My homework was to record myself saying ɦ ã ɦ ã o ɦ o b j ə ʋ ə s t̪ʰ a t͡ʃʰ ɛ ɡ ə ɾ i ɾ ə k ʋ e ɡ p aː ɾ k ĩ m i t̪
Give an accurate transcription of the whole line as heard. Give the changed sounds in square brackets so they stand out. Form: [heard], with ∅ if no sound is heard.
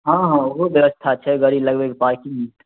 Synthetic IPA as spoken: ɦ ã ɦ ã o ɦ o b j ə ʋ ə s t̪ʰ a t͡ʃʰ ɛ ɡ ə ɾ i [l] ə [ɡ] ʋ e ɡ p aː ɾ k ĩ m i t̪